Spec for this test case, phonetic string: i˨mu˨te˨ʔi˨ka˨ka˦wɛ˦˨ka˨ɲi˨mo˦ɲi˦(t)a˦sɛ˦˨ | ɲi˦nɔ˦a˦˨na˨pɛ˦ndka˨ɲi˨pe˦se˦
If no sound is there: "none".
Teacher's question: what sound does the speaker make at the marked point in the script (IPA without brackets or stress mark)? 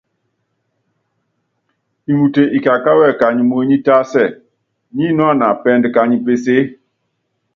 t